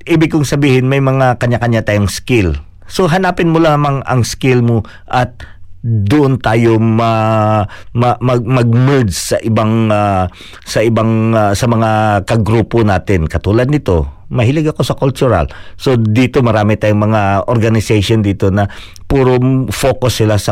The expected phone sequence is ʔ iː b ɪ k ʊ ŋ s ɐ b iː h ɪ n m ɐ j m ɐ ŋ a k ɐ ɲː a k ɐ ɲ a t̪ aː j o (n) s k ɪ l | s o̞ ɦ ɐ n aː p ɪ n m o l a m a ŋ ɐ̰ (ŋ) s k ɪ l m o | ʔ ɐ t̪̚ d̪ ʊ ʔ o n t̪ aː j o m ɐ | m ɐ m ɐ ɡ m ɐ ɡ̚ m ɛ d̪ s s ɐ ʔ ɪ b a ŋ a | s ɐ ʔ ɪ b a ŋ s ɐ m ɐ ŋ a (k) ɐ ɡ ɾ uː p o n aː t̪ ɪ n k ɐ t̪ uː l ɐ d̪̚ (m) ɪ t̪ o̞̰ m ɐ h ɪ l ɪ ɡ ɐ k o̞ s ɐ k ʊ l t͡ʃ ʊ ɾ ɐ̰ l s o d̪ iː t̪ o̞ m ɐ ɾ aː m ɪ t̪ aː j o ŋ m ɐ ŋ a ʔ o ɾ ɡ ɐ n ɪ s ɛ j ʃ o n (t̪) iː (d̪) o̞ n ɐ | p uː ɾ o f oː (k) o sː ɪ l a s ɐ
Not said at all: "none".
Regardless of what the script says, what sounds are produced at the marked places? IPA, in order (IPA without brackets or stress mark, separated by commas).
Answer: ŋ, ŋ, k, n, d̪, t̪, k